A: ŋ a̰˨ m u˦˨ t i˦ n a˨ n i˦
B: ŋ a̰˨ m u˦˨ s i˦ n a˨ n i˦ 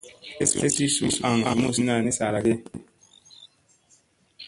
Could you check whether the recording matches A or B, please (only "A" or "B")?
B